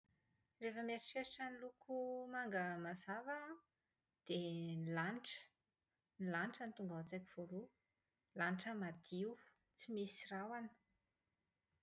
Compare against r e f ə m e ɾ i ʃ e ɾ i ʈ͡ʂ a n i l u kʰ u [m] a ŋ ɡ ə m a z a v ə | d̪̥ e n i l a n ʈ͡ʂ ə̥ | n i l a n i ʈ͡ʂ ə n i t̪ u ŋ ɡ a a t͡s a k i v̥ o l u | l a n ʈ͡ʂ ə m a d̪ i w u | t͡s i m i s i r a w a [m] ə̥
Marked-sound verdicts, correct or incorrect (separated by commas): correct, incorrect